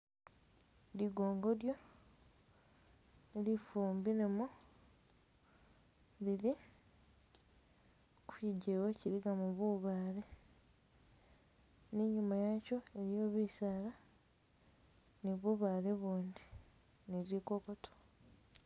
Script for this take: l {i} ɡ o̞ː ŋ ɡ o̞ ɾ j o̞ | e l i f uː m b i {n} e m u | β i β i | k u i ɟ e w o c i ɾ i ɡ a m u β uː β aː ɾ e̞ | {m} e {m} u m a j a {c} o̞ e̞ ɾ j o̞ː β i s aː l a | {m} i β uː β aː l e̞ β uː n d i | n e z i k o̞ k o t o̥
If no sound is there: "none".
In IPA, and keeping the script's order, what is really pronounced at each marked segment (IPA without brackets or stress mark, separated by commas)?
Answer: i, n, n, ɲ, c, n